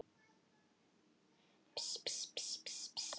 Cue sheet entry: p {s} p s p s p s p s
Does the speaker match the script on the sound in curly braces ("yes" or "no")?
yes